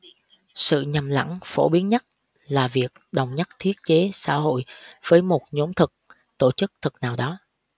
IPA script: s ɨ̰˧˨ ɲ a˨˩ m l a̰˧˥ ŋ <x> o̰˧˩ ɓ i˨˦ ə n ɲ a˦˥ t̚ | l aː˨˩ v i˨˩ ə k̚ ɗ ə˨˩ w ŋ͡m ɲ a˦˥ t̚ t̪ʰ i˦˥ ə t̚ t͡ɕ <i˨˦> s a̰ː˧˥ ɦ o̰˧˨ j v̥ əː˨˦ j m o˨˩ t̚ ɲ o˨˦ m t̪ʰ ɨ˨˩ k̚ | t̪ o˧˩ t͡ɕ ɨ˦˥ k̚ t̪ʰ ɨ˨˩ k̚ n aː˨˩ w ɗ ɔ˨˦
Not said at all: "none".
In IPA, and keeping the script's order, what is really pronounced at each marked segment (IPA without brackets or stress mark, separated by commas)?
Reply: f, e˨˦